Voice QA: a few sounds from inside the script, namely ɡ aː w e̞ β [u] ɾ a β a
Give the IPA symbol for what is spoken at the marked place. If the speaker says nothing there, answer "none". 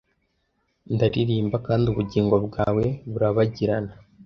u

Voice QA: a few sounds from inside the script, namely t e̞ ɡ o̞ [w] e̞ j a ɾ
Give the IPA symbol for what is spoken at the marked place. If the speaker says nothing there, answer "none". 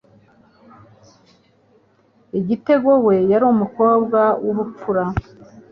w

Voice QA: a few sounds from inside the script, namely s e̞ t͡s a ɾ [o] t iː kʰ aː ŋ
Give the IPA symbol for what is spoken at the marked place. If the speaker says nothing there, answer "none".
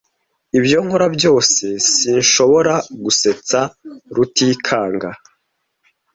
u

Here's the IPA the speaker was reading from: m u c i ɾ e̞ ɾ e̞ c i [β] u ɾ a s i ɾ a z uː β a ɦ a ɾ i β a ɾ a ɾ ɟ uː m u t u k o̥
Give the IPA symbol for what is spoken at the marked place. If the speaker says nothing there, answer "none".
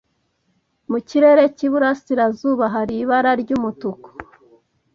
β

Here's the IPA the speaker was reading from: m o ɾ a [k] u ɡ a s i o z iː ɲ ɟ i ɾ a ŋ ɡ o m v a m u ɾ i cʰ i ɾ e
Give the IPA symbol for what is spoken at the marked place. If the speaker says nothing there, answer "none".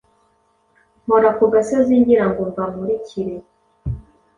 k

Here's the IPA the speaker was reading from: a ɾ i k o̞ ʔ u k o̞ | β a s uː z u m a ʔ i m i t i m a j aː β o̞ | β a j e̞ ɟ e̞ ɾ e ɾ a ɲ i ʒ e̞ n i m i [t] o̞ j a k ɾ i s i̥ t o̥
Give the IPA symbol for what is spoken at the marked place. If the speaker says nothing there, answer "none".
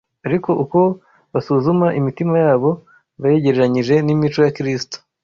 t͡ʃ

